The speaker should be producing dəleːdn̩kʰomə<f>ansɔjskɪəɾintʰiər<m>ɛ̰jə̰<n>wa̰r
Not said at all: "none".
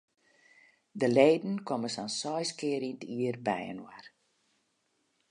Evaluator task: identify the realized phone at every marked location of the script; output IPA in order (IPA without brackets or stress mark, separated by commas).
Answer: s, b, n